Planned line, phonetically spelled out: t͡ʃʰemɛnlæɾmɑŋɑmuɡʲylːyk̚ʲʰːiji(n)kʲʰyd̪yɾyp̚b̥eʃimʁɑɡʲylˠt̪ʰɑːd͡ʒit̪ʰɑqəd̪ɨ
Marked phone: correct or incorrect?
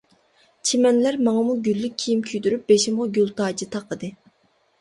incorrect